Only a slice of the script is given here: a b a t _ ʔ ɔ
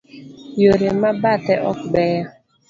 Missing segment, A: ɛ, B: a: A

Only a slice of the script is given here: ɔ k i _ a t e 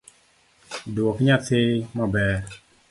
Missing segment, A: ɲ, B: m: A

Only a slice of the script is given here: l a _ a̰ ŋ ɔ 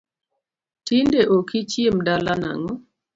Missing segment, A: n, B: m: A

